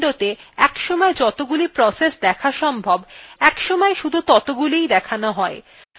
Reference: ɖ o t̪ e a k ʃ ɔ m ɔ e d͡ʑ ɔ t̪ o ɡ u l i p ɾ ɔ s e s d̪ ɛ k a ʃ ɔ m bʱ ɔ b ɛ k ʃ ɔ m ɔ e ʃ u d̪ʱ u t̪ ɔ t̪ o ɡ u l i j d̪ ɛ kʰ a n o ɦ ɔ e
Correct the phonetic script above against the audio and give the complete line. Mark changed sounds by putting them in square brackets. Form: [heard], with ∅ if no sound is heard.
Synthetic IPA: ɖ o t̪ e [ɛ] k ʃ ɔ m ɔ e d͡ʑ ɔ t̪ o ɡ u l i p ɾ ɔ s e s d̪ ɛ [kʰ] a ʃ ɔ m bʱ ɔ b ɛ k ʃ ɔ m ɔ e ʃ u d̪ʱ u t̪ ɔ t̪ o ɡ u l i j d̪ ɛ kʰ a n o ɦ ɔ e